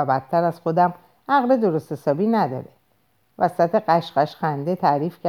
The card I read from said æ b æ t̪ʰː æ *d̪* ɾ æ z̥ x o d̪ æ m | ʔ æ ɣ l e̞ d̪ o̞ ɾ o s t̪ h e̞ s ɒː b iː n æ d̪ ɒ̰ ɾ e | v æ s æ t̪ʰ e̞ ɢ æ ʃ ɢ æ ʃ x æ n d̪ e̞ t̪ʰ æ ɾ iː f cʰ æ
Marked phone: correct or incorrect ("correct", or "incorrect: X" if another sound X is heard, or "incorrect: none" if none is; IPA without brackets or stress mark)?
incorrect: none